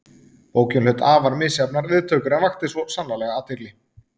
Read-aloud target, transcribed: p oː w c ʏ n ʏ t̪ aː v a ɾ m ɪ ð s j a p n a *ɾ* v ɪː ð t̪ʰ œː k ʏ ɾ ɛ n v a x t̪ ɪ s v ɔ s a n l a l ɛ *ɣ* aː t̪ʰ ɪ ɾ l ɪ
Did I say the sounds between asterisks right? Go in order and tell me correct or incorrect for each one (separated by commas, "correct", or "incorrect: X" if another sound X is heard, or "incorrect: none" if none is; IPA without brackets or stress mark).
correct, correct